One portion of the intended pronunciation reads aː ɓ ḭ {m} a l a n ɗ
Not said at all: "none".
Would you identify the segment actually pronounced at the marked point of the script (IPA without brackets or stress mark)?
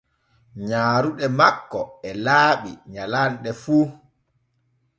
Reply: ɲ